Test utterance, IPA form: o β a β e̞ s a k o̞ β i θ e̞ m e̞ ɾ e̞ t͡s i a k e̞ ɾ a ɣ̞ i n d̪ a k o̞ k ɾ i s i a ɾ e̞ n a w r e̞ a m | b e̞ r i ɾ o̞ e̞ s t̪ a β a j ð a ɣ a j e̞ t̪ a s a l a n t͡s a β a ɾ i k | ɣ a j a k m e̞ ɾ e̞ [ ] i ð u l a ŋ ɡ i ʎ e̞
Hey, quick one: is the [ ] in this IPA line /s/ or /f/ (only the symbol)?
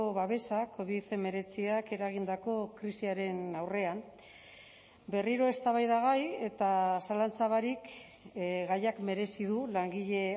s